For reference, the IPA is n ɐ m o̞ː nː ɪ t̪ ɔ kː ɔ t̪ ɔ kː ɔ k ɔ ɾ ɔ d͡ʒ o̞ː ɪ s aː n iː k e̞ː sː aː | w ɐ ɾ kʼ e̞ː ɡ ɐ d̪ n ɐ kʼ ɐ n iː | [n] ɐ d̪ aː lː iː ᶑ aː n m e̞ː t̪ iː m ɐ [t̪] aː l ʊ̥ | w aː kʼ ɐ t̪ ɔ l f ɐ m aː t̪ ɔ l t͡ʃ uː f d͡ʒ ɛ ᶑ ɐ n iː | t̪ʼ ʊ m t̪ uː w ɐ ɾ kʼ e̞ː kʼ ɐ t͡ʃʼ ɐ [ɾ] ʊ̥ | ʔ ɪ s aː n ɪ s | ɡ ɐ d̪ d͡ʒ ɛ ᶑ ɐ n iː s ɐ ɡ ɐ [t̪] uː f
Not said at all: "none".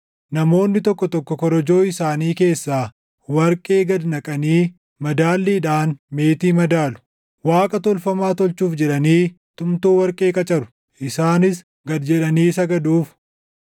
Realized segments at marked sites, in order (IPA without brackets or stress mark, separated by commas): m, d̪, ɾ, d̪